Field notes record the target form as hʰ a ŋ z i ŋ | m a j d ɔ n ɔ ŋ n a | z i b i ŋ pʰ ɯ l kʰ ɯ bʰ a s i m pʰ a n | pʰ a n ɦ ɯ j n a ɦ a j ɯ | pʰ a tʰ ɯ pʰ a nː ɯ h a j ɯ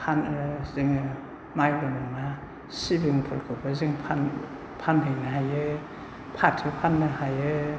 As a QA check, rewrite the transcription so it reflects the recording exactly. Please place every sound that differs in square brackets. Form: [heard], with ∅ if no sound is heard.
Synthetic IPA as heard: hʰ a [n] z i ŋ | m a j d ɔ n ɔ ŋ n a | [s] i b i ŋ pʰ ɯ l kʰ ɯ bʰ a [z] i [ŋ] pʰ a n | pʰ a n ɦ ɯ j n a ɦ a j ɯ | pʰ a tʰ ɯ pʰ a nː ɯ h a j ɯ